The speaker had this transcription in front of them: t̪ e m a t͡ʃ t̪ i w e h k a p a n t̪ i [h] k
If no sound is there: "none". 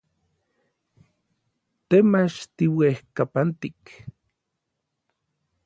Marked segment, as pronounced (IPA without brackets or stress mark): none